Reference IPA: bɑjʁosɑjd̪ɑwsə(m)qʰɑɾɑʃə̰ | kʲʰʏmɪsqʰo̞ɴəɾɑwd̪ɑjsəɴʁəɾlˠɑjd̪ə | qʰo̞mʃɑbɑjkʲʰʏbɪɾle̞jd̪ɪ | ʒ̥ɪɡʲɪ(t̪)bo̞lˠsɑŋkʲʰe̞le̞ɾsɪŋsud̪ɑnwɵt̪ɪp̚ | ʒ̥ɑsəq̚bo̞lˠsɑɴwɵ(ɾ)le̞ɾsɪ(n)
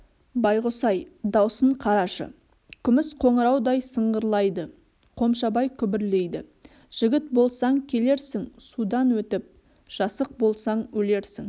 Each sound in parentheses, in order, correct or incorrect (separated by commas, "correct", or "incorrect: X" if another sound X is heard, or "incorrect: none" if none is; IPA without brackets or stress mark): incorrect: ɴ, correct, incorrect: none, incorrect: ŋ